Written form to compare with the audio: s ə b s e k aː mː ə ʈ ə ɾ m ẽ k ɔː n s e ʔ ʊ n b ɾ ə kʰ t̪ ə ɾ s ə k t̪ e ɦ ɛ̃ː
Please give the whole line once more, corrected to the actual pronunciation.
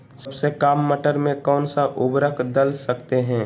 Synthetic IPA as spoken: s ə b s e k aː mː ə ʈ ə ɾ m ẽ k ɔː n s a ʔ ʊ b ɾ ə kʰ d̪ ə l s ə k t̪ e ɦ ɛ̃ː